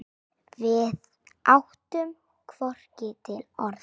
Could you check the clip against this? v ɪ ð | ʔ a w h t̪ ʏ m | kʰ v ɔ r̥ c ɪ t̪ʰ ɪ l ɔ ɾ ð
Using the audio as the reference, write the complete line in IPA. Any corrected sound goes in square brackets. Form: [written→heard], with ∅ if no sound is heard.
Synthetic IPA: v ɪ ð | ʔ a w h t̪ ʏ m | kʰ v ɔ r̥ c ɪ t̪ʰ ɪ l ɔ ɾ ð